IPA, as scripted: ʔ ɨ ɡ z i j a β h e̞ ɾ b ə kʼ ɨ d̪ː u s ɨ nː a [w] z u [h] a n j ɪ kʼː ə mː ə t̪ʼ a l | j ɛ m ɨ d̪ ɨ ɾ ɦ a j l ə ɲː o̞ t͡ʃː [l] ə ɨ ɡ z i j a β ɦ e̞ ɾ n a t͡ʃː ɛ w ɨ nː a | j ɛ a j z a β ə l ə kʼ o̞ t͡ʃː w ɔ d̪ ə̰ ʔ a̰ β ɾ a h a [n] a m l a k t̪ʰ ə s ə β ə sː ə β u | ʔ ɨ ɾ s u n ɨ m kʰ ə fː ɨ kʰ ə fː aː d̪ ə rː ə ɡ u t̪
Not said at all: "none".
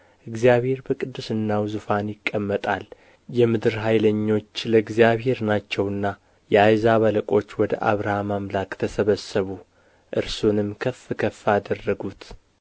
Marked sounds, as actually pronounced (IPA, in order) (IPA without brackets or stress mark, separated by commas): w, f, l, m